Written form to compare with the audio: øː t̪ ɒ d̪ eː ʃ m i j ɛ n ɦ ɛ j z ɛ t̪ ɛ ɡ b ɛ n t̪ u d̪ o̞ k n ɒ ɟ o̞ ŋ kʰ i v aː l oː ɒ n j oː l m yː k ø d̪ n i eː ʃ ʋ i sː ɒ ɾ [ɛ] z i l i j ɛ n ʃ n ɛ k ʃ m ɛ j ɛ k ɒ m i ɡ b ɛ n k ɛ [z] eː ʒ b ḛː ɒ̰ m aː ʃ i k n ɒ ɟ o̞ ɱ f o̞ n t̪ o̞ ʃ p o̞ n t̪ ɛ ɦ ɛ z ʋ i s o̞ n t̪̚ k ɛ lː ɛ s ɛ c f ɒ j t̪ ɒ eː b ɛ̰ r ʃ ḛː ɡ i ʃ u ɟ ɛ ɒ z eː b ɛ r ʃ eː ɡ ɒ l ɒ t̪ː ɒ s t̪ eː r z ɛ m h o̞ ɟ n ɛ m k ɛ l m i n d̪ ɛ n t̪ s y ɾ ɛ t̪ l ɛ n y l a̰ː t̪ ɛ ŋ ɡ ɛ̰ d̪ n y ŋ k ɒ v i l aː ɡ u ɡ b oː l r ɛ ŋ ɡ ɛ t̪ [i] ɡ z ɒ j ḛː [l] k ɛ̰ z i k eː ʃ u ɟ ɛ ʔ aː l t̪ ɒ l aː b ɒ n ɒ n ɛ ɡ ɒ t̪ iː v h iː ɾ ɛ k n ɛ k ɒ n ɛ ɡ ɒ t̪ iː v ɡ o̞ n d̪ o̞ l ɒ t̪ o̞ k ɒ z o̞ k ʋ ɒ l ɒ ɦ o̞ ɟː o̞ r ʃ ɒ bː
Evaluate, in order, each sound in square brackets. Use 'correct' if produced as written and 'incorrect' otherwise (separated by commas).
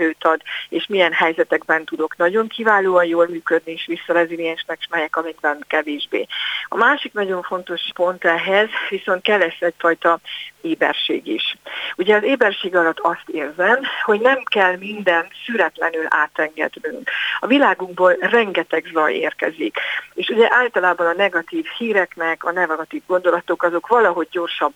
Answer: correct, incorrect, incorrect, incorrect